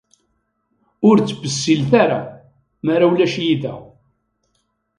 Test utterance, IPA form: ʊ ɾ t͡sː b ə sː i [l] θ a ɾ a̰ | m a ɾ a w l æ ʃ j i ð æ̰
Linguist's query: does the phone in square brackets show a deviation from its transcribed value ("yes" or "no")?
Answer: no